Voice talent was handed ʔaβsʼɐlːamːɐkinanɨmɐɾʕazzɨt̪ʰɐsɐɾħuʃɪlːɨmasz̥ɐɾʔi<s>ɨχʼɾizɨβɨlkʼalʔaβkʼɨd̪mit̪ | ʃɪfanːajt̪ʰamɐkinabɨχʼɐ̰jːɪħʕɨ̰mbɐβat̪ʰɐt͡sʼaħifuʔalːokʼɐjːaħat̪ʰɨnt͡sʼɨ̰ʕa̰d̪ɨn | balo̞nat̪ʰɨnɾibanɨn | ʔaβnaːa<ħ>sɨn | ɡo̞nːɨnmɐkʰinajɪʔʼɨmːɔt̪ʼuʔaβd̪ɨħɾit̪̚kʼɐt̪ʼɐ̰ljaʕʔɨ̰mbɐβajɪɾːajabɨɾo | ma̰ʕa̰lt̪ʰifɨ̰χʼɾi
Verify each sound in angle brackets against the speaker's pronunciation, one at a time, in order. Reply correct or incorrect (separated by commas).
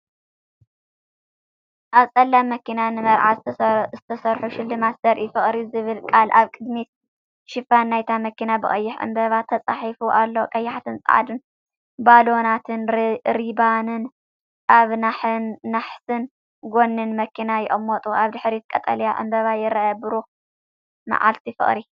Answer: incorrect, correct